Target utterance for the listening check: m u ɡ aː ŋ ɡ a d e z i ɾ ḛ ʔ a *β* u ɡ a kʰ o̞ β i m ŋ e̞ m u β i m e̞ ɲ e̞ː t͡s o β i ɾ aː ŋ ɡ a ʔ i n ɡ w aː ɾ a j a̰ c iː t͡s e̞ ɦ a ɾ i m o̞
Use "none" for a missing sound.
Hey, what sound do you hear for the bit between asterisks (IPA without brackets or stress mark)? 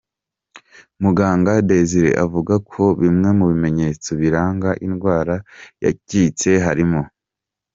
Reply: v